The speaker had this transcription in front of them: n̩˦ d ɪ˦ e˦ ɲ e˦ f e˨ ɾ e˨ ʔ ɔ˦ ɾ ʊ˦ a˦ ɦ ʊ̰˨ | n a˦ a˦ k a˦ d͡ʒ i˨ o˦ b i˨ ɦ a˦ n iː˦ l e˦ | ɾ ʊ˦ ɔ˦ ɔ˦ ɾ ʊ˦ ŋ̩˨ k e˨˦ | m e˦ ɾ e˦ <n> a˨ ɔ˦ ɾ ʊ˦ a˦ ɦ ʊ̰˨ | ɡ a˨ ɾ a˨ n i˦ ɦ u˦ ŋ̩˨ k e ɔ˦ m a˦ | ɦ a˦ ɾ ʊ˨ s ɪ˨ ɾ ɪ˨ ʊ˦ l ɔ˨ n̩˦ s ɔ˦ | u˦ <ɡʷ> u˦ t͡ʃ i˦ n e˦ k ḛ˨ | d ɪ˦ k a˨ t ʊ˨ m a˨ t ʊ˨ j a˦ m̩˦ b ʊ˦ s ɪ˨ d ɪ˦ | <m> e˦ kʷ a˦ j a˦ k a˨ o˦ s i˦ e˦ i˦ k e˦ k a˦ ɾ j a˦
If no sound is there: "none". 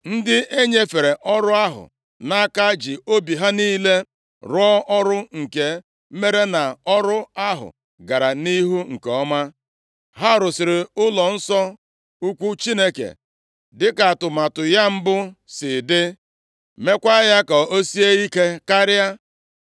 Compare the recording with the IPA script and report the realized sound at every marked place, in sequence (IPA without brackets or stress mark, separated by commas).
n, kʷ, m